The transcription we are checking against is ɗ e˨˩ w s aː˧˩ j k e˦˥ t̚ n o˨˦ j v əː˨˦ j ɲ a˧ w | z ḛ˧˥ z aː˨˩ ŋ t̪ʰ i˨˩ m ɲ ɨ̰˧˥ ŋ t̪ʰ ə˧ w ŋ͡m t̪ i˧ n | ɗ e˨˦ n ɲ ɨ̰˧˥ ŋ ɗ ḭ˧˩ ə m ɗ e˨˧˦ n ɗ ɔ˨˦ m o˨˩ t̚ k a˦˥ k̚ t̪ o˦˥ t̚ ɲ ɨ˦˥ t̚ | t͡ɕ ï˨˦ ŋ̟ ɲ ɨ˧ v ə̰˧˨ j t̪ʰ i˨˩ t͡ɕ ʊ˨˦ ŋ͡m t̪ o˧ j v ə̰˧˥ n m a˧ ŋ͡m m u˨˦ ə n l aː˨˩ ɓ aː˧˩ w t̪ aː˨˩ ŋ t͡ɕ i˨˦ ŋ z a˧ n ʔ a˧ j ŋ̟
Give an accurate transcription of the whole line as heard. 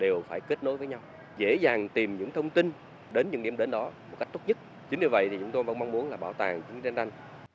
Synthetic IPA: ɗ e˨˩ w f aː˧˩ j k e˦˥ t̚ n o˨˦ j v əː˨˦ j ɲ a˧ w | z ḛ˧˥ z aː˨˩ ŋ t̪ i˨˩ m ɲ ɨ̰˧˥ ŋ t̪ʰ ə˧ w ŋ͡m t̪ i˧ n | ɗ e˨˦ n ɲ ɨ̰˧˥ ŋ ɗ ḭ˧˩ ə m ɗ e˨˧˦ n ɗ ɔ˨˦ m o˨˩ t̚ k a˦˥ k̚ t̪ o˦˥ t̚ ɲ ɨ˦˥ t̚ | t͡ɕ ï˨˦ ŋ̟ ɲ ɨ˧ v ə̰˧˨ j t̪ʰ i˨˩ t͡ɕ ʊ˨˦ ŋ͡m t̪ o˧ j v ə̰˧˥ n m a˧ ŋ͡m m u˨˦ ə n l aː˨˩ ɓ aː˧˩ w t̪ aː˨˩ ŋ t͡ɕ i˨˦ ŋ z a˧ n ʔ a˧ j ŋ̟